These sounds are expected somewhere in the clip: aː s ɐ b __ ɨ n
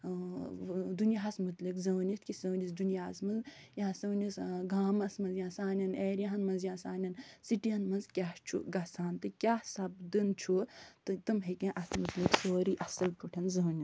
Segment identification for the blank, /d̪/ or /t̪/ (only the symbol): d̪